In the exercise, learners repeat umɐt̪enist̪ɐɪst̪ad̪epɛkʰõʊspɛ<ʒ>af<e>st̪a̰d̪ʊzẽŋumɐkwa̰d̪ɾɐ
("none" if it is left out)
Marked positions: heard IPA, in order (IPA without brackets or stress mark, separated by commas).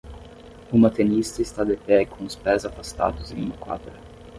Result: z, a